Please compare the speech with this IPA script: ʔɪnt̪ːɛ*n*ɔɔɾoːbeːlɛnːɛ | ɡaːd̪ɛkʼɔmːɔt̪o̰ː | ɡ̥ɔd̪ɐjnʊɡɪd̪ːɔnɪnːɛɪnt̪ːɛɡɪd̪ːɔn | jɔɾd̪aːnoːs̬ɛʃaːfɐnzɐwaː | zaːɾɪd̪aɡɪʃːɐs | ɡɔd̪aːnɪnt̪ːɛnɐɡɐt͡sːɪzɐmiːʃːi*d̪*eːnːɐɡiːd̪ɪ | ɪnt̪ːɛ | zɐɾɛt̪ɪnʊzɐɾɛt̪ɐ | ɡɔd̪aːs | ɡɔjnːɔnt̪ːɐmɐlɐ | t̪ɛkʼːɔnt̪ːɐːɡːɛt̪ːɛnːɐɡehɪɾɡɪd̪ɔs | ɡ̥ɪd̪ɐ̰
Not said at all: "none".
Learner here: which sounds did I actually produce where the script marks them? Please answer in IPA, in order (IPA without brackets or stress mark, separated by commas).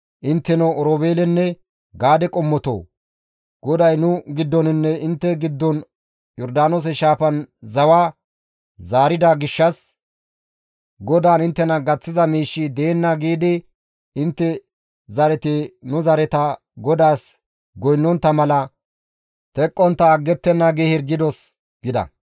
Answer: n, d̪